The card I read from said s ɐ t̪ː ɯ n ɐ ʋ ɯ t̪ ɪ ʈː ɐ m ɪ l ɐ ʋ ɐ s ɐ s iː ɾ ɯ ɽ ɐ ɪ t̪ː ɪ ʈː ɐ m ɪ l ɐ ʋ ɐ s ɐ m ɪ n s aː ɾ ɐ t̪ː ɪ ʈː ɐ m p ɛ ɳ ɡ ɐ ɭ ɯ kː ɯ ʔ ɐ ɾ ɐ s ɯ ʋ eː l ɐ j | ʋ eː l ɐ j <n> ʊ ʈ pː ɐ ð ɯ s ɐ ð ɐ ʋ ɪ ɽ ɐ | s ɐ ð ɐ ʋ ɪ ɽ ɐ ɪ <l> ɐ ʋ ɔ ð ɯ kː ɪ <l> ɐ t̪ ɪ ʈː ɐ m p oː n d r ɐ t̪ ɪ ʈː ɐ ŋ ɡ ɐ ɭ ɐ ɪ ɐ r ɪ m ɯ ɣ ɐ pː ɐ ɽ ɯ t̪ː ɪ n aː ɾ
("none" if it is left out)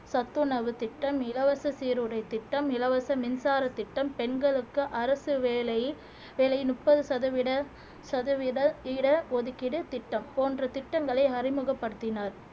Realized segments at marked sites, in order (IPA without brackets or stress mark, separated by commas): n, ɽ, ɽ